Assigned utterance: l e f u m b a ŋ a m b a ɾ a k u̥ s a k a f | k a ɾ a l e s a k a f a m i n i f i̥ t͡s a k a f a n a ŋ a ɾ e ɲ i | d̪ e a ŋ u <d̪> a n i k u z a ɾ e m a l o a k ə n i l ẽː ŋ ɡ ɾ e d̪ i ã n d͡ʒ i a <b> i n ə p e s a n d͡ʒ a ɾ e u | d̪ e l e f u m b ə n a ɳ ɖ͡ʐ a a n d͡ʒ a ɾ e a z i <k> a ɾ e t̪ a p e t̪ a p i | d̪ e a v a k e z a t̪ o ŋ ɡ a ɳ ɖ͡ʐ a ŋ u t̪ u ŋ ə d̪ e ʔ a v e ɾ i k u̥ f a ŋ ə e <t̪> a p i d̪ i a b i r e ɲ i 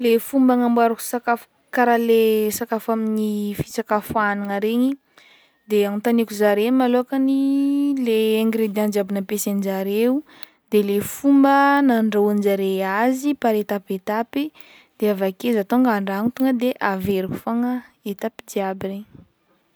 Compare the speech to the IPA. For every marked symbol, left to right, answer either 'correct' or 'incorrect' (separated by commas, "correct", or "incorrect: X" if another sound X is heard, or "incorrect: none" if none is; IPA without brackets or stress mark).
incorrect: t̪, correct, incorrect: p, correct